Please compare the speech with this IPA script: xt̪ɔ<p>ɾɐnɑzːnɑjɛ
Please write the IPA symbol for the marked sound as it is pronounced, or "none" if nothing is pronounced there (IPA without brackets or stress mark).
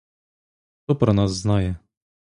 p